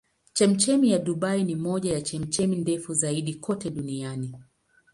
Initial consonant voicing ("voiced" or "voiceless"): voiceless